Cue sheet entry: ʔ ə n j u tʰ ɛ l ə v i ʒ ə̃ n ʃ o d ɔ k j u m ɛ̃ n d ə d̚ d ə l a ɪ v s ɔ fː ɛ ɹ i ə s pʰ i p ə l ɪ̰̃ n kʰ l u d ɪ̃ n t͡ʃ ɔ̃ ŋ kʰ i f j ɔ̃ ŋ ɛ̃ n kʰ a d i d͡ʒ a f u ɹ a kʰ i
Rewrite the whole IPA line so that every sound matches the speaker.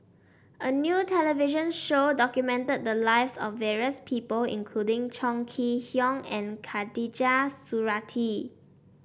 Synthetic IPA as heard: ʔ ə n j u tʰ ɛ l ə v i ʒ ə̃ n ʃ o d ɔ k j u m ɛ̃ n t ə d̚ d ə l a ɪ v s ɔ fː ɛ ɹ i ə s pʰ i p ə l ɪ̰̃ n kʰ l u d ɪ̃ ŋ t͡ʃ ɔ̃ ŋ kʰ i h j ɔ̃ ŋ ɛ̃ n kʰ a d i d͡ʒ a s u ɹ a tʰ i